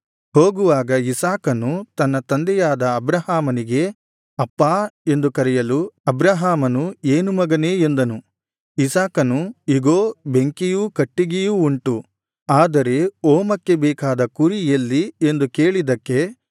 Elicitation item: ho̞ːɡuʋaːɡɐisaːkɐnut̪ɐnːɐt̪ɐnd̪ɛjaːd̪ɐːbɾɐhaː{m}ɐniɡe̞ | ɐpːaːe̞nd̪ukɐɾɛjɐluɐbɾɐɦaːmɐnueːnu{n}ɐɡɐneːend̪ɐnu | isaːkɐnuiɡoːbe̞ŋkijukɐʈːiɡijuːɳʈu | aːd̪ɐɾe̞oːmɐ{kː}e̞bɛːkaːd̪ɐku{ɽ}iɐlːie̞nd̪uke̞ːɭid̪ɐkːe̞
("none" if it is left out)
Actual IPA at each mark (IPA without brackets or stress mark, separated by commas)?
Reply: m, m, kː, ɾ